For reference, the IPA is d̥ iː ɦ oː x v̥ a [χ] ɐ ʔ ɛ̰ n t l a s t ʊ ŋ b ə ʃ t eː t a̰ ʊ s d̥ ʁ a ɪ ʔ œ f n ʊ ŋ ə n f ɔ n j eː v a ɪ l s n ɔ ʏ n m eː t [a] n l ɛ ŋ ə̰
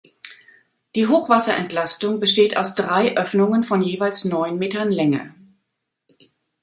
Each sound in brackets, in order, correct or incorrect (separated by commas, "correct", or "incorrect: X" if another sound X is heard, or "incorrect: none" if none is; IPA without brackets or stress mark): incorrect: s, incorrect: ɐ